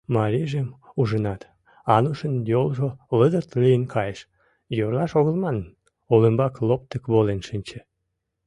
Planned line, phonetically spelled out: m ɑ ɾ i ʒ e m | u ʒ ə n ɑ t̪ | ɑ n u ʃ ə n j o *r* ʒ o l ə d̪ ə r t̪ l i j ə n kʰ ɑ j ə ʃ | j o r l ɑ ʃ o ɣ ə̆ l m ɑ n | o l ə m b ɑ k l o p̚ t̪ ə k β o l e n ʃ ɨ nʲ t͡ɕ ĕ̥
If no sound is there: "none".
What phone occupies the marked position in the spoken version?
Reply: l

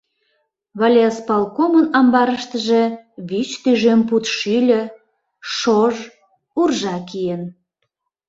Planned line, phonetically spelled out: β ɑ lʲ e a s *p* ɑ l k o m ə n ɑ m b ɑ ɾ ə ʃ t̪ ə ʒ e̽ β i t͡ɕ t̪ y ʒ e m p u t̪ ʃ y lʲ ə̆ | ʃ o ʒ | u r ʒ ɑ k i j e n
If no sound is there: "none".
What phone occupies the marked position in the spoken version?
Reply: p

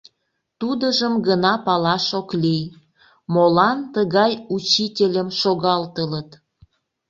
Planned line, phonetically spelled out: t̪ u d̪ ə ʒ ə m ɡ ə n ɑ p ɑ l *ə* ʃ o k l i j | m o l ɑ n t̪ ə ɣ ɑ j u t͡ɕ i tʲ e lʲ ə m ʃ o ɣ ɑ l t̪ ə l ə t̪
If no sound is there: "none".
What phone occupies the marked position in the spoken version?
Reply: ɑ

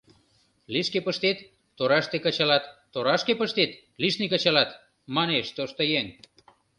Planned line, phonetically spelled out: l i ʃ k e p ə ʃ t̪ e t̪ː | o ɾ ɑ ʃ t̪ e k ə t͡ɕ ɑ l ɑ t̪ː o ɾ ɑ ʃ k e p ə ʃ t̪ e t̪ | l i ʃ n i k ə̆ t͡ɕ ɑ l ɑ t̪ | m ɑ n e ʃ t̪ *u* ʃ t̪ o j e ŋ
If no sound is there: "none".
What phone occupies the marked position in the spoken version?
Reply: o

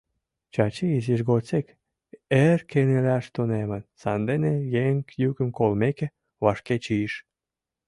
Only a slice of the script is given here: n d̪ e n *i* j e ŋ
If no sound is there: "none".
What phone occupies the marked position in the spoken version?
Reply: e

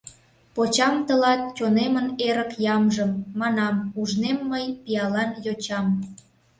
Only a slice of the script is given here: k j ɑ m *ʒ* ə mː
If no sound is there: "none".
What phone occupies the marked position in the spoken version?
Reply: ʒ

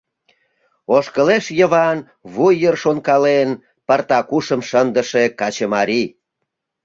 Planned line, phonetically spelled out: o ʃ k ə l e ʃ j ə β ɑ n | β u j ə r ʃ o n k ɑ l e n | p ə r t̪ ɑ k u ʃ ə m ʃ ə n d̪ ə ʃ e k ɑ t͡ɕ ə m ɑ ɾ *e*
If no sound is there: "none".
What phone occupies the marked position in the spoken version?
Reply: i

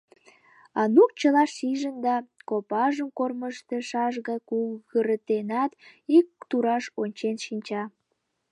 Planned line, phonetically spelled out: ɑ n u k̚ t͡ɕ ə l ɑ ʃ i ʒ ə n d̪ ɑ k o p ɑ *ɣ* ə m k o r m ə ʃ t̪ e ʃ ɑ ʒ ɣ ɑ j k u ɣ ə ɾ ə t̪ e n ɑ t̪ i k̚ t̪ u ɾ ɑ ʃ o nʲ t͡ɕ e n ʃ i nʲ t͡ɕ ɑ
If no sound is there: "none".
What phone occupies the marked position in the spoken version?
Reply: ʒ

